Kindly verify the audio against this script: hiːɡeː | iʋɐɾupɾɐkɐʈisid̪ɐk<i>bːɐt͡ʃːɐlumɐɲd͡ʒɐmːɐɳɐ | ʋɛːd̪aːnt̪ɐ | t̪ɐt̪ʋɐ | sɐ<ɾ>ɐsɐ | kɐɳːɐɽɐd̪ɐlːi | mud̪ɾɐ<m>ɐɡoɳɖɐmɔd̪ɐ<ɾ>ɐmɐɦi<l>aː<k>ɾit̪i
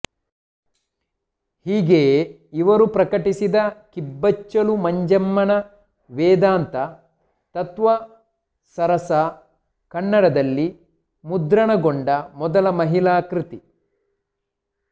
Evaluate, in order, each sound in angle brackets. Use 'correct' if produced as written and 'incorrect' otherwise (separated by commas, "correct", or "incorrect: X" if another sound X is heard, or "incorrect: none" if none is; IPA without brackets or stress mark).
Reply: correct, correct, incorrect: ɳ, incorrect: l, correct, correct